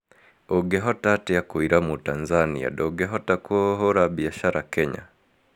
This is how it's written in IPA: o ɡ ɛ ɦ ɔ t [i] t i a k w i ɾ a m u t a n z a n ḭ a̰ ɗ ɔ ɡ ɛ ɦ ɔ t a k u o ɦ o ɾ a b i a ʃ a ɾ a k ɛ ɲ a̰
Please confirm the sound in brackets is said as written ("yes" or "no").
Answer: no